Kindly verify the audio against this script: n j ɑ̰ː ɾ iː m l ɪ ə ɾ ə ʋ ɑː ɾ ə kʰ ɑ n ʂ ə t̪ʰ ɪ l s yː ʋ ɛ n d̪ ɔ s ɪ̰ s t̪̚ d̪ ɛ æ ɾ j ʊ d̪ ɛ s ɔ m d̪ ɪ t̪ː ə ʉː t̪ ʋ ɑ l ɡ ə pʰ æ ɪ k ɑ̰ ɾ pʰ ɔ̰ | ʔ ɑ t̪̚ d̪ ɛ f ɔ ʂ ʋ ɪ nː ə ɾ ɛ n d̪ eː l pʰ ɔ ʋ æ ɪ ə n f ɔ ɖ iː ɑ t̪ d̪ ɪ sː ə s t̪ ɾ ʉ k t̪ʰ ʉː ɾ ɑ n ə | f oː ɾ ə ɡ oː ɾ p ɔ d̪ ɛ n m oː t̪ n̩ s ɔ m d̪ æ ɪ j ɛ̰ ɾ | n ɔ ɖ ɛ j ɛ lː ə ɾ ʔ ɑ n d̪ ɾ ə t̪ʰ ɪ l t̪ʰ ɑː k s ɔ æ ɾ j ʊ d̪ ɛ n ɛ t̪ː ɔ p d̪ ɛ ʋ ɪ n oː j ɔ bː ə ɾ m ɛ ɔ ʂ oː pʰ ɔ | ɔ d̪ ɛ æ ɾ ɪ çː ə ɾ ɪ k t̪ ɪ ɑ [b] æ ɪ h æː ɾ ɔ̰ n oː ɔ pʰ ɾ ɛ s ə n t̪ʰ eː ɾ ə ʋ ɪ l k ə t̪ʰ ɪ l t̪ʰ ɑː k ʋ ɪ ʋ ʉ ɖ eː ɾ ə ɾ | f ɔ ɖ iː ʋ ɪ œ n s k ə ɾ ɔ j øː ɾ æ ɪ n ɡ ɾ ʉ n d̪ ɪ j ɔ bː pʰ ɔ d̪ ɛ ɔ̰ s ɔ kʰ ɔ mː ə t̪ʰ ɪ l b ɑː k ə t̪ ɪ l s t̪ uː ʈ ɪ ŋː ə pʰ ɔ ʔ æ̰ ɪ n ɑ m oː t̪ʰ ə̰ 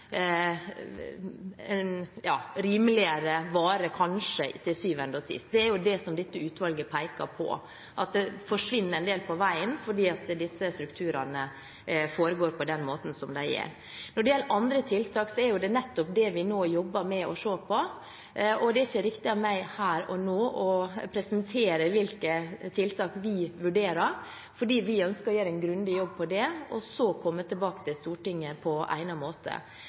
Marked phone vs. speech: incorrect: m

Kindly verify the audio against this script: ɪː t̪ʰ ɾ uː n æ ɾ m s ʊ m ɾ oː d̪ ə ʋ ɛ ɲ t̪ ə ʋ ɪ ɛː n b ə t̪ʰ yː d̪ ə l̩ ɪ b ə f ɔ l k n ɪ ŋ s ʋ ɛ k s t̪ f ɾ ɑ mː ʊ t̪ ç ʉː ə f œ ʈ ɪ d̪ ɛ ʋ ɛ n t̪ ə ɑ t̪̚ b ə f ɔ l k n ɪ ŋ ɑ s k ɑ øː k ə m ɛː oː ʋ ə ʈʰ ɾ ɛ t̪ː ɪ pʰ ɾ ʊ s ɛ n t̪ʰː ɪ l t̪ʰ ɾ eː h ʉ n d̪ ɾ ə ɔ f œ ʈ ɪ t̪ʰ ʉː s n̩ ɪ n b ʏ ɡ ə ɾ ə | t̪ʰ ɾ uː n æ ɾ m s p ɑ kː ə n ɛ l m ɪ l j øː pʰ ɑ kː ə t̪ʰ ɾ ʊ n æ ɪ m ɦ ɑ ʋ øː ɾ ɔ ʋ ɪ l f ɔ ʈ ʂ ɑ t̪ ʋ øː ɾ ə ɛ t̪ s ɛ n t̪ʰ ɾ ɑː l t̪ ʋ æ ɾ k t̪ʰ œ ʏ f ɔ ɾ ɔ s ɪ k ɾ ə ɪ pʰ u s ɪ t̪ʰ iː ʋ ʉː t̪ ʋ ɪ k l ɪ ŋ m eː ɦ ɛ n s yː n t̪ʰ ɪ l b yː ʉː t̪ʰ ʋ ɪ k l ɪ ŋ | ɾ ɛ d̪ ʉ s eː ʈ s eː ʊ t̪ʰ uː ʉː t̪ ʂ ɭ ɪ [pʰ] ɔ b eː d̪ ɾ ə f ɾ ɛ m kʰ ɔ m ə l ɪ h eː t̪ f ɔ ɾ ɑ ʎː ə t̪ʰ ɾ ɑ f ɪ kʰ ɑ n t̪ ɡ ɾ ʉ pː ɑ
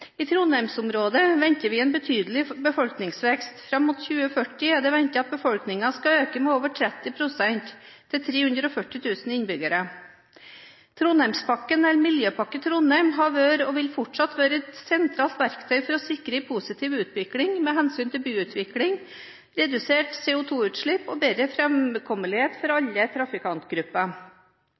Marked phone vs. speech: incorrect: p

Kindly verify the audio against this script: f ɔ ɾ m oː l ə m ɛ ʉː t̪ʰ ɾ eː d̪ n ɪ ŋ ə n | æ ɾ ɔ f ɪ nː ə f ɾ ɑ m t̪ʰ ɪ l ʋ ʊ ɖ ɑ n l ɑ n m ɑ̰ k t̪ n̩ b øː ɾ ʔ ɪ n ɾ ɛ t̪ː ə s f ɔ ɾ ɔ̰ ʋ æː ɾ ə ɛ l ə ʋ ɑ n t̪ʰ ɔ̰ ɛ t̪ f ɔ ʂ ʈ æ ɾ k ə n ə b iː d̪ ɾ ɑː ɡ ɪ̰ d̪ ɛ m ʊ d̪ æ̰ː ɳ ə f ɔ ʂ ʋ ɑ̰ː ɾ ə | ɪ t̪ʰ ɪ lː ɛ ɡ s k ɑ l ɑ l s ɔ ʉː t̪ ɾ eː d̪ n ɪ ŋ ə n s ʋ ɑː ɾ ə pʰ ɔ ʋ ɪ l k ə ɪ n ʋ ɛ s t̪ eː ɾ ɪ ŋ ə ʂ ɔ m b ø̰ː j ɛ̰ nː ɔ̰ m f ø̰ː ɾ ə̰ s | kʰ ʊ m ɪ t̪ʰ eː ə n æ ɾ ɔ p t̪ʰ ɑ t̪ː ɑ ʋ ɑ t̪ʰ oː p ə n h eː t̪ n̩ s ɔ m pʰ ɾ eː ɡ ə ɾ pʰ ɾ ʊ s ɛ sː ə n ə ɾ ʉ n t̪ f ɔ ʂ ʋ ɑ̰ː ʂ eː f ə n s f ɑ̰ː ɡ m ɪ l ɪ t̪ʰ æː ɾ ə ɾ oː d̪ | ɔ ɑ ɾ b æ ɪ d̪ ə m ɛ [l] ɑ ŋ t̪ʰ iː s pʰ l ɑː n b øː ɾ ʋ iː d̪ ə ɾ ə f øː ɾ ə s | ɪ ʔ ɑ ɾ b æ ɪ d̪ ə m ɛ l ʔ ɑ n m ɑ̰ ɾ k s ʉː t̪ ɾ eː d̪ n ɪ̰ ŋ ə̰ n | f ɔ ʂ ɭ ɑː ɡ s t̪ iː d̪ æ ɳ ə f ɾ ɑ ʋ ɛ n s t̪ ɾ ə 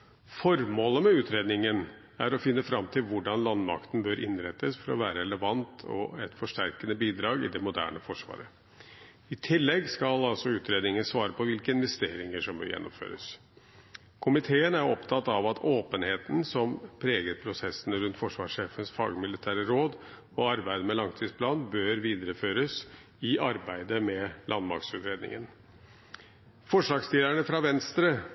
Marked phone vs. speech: correct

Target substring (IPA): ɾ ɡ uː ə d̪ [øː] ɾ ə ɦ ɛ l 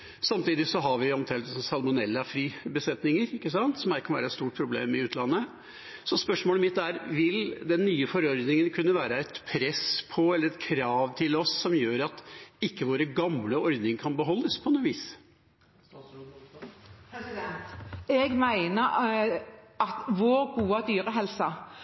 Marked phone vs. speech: incorrect: yː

